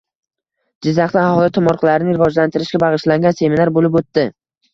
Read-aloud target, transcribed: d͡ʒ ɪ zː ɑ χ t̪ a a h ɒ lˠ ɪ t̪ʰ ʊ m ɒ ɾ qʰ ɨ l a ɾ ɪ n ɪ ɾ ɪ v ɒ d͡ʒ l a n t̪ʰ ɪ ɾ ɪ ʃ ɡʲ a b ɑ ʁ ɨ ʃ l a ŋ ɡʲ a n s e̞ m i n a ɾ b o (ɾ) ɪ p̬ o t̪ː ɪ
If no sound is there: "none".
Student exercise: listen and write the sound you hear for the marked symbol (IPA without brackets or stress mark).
l